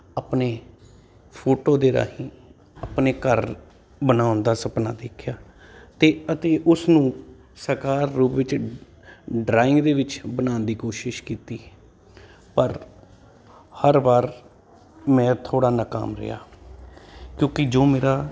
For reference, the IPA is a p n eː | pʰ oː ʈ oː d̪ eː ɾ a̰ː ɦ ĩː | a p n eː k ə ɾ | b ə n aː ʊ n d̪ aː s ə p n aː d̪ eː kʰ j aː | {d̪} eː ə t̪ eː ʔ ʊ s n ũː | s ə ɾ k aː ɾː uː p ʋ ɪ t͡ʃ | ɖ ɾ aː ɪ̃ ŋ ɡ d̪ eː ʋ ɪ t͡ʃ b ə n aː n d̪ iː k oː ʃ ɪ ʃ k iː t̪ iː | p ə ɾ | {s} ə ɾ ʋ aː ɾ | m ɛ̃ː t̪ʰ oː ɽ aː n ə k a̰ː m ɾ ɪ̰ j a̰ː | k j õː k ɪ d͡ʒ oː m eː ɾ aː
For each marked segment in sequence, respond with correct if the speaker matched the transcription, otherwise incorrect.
incorrect: t̪, incorrect: h

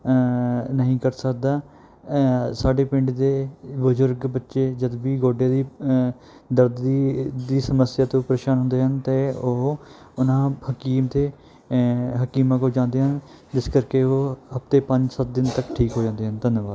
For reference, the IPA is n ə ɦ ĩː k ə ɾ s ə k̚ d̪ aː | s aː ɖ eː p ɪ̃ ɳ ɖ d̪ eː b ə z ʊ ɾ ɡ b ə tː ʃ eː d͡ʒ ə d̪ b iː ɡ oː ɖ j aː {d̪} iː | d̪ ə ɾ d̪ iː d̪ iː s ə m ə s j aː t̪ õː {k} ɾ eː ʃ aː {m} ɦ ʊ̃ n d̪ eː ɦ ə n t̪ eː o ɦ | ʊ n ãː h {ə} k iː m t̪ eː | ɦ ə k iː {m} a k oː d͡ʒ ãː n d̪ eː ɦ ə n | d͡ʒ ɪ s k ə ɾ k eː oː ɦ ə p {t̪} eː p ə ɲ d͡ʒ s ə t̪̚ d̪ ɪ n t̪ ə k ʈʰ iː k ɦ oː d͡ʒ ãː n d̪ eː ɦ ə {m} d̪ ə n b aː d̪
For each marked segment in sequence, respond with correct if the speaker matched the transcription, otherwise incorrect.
correct, incorrect: p, incorrect: n, correct, correct, correct, incorrect: n

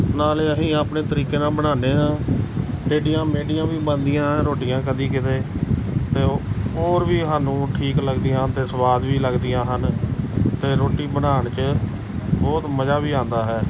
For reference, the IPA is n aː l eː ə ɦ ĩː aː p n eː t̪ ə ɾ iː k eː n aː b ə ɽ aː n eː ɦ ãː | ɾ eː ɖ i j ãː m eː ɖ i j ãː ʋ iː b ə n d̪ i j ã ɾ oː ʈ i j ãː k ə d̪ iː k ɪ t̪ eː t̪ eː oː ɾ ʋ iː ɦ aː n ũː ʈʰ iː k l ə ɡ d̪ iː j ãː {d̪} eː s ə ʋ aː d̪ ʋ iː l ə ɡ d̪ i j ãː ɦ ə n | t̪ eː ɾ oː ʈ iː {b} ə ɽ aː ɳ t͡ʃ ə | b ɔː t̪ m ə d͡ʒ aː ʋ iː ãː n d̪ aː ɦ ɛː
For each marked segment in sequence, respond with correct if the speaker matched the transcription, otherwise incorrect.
incorrect: t̪, correct

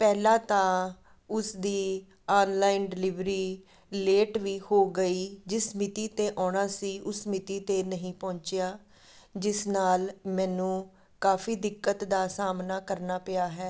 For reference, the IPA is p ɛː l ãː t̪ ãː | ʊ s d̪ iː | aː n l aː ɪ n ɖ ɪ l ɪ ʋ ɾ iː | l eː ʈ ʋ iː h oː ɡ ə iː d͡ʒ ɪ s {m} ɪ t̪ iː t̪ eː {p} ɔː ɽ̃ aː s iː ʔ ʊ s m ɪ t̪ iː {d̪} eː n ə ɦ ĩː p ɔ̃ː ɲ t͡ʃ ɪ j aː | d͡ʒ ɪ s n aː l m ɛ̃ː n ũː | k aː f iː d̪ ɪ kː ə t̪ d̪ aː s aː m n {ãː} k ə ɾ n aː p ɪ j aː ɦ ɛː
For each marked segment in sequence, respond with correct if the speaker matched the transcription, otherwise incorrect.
correct, incorrect: ʔ, incorrect: t̪, incorrect: aː

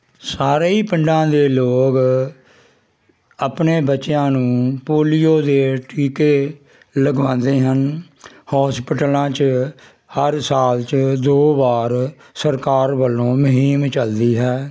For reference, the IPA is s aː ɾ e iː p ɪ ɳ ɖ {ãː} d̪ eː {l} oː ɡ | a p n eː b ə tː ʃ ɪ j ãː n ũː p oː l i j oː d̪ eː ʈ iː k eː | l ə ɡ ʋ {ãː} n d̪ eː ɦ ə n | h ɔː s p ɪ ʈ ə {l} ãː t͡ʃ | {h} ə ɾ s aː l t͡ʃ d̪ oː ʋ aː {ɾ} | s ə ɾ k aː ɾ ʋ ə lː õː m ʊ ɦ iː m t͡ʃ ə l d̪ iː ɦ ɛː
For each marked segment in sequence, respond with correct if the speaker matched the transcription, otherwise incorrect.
correct, correct, correct, correct, correct, correct

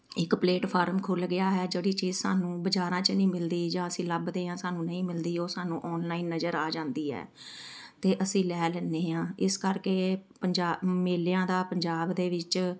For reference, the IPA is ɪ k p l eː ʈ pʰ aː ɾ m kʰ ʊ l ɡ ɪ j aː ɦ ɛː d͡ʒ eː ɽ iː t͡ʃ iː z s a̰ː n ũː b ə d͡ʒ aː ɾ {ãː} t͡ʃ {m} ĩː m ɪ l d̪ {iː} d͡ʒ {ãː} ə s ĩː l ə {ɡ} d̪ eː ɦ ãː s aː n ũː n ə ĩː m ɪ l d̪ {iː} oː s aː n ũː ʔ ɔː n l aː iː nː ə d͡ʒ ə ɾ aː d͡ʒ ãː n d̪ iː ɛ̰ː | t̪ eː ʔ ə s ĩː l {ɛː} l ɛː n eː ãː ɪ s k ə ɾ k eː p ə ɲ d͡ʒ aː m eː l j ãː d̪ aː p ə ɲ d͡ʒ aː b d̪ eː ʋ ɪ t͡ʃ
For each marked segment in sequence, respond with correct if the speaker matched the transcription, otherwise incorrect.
correct, incorrect: n, correct, correct, incorrect: b, correct, correct

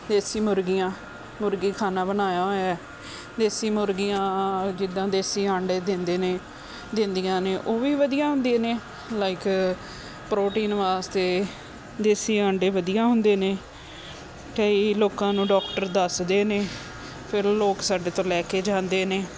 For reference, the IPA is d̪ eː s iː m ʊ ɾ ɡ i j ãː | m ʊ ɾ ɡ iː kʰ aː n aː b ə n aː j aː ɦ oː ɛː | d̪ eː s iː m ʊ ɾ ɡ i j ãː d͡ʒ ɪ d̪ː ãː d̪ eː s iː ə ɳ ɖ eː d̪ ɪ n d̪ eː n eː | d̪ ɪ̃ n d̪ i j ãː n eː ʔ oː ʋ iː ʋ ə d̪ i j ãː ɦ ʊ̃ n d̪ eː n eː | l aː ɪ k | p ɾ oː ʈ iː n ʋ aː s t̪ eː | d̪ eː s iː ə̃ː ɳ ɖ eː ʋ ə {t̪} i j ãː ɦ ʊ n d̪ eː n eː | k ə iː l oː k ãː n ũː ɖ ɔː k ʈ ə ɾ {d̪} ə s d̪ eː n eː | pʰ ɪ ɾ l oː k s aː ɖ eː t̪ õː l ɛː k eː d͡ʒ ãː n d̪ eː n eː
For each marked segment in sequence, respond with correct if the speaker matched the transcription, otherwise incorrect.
incorrect: d̪, correct

